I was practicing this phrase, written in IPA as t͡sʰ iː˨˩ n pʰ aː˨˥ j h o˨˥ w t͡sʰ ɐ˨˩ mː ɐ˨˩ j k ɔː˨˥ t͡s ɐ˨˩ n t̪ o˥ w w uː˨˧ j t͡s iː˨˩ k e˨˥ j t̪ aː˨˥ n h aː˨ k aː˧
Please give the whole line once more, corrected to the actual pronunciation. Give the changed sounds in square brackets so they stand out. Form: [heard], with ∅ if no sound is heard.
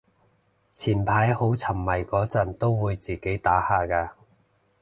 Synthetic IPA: t͡sʰ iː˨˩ n pʰ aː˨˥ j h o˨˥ w t͡sʰ ɐ˨˩ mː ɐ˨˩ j k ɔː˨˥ t͡s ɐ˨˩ n t̪ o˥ w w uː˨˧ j t͡s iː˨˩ k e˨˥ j t̪ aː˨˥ [∅] h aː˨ k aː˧